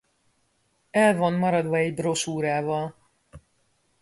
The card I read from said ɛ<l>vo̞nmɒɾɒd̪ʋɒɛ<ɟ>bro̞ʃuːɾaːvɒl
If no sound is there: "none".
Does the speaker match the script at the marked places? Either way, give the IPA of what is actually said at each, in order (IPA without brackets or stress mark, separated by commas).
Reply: l, ɟ